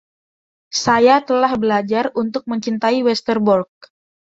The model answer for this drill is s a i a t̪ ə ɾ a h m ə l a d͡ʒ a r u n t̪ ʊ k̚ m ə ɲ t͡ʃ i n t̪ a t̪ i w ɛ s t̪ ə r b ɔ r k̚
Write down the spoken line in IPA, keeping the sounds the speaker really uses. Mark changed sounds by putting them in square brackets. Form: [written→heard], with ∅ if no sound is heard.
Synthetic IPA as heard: s a [i→j] a t̪ ə [ɾ→l] a h [m→b] ə l a d͡ʒ a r u n t̪ ʊ k̚ m ə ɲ t͡ʃ i n t̪ a [t̪→∅] i w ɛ s t̪ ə r b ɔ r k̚